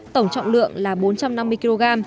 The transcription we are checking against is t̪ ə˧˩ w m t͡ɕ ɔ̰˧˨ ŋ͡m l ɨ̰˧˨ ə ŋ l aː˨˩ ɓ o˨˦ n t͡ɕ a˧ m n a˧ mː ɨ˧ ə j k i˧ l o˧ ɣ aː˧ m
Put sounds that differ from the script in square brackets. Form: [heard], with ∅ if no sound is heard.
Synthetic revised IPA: t̪ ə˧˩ w [ŋ͡m] t͡ɕ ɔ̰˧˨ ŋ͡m l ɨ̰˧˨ ə ŋ l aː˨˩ ɓ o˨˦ n t͡ɕ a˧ m n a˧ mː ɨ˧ ə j k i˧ l o˧ ɣ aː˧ m